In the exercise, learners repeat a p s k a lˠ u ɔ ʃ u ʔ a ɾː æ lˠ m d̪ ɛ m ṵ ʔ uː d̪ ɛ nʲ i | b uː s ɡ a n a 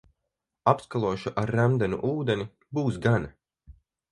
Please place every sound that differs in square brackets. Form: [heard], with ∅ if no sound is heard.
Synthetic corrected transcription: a p s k a lˠ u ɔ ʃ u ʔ a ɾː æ [∅] m d̪ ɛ [n] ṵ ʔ uː d̪ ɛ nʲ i | b uː s ɡ a n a